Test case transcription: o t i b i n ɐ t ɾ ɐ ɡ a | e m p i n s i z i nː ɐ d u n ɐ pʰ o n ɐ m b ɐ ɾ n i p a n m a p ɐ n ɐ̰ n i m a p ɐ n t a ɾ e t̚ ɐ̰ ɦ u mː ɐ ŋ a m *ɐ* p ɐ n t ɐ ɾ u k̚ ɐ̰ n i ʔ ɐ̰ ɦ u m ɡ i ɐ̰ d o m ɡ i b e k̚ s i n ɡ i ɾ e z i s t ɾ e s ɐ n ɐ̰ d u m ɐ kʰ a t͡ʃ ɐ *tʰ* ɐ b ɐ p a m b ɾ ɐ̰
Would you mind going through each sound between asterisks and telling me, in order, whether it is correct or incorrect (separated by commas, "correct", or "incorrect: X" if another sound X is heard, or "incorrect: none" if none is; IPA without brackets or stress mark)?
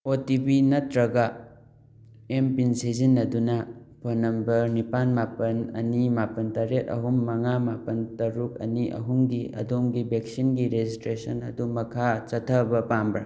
incorrect: a, correct